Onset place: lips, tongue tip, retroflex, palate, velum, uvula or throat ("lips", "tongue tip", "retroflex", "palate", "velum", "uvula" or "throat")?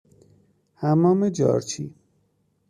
throat